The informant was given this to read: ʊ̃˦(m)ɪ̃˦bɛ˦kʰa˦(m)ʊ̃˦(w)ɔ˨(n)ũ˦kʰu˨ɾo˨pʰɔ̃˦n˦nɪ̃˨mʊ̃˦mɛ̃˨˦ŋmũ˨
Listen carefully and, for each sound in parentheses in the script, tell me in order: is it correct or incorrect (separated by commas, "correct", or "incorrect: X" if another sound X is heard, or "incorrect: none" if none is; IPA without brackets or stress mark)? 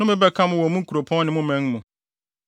correct, correct, correct, incorrect: m